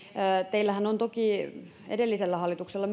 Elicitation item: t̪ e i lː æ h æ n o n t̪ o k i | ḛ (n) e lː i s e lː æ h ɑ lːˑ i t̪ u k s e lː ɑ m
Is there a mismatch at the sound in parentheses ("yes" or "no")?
yes